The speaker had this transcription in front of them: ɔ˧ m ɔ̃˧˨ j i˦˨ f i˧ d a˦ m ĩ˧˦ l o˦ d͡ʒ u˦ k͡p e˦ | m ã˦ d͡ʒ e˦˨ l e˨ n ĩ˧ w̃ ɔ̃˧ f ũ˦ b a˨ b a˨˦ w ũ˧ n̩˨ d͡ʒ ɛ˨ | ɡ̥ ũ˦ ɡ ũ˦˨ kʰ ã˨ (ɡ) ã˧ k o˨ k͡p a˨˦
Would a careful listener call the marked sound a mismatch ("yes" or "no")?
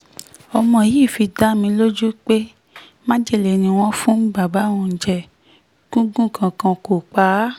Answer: yes